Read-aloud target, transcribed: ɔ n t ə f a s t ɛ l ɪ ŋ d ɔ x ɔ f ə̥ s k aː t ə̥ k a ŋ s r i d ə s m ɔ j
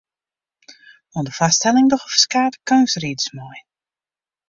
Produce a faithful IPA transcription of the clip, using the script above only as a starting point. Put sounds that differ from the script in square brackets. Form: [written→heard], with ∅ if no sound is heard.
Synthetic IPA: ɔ n [t→d] ə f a s t ɛ l ɪ ŋ d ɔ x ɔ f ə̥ s k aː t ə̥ k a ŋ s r i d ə s m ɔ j